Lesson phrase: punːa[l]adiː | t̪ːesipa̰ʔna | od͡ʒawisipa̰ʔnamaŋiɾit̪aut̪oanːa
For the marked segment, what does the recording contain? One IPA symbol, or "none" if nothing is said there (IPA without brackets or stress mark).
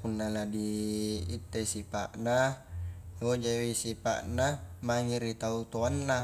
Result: l